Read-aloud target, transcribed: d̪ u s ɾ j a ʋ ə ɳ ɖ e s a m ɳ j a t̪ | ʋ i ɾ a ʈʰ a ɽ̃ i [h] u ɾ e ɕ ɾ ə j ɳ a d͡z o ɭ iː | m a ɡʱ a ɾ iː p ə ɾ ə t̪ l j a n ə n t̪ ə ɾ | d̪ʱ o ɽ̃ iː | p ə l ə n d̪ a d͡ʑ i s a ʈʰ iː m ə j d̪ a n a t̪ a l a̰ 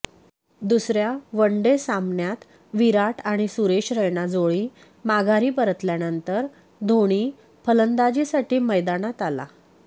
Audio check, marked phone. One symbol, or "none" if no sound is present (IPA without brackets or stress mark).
s